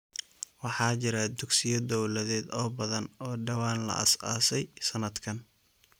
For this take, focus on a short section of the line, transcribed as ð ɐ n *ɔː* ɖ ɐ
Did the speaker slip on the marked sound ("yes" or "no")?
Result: no